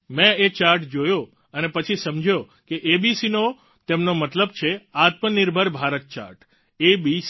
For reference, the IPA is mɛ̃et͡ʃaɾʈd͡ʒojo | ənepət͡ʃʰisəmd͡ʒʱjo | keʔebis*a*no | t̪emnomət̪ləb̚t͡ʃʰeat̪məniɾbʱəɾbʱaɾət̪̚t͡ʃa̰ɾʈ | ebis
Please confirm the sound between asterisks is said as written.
no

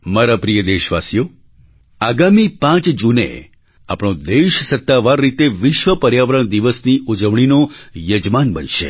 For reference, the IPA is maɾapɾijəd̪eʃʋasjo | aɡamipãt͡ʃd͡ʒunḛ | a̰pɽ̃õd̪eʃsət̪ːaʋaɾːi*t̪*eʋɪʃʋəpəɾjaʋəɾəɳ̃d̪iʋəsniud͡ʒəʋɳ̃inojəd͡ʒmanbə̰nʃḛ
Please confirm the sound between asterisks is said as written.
yes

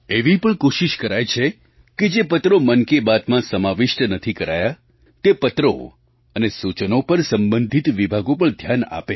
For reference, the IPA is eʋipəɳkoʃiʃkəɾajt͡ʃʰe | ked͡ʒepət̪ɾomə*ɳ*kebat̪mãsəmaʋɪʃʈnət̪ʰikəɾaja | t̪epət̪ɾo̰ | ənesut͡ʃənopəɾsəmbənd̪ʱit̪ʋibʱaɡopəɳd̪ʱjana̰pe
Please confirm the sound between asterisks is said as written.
no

